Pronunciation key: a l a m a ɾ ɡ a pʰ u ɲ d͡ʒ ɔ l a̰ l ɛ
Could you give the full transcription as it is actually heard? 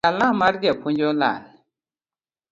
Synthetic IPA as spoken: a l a m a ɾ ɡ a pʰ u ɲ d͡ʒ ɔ l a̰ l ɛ